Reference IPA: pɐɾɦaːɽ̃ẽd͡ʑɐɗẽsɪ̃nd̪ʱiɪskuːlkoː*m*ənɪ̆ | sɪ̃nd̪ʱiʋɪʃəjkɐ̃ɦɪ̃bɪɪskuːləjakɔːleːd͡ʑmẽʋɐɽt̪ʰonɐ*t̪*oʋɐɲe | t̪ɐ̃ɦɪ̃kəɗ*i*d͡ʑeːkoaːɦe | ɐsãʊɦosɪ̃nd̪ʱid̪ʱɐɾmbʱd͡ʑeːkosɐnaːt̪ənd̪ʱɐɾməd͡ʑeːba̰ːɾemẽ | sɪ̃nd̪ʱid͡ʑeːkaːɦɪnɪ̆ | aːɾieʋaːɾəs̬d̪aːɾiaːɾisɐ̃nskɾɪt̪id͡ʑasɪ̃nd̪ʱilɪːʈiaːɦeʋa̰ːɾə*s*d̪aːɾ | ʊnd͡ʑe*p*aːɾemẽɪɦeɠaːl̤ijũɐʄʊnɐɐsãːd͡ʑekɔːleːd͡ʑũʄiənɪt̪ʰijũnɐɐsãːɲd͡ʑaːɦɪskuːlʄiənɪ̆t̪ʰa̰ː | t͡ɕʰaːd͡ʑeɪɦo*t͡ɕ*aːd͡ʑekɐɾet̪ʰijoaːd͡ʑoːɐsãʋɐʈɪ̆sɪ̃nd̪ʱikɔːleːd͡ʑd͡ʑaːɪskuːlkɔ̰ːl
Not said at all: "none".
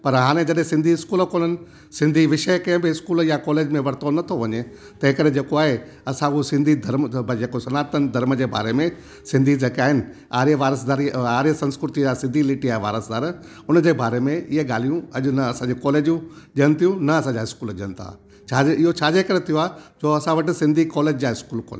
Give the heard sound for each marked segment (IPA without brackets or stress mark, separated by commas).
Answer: n, t̪ʰ, e, s, b, t͡ɕʰ